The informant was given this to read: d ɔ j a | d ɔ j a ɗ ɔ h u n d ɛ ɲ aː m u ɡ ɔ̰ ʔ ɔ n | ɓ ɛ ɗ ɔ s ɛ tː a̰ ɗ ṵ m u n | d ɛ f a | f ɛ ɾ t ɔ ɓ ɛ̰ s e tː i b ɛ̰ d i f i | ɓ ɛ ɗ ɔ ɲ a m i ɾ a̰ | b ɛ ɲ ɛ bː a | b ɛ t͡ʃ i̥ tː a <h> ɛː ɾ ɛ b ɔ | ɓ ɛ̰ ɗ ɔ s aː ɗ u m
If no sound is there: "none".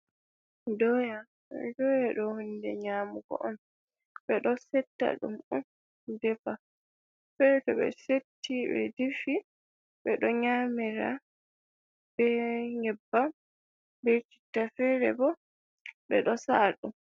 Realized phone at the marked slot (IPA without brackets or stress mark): f